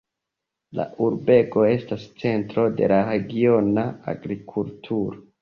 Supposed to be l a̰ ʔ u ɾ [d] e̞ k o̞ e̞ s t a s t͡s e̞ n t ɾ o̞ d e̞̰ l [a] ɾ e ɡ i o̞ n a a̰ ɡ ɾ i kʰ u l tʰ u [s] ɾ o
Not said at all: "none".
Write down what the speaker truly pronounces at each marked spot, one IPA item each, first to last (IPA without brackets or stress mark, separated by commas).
b, a, none